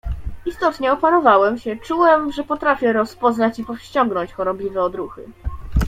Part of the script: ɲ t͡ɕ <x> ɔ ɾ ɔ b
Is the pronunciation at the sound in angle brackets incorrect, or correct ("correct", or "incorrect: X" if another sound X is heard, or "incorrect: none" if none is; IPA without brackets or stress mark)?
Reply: correct